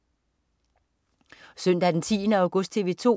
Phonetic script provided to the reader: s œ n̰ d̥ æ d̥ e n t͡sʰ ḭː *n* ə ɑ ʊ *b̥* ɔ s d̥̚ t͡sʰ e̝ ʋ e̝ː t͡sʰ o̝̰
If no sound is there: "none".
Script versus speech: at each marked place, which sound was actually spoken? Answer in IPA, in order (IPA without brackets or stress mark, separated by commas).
n, ɡ̥